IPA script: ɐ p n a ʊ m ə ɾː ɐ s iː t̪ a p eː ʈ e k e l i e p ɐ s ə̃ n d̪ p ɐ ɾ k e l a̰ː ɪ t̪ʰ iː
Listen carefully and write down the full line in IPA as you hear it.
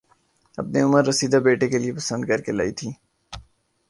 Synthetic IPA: ɐ p n e ʊ m ə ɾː ɐ s iː d̪ a b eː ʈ e k e l i e p ɐ s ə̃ n d̪ k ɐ ɾ k e l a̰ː i t̪ʰ iː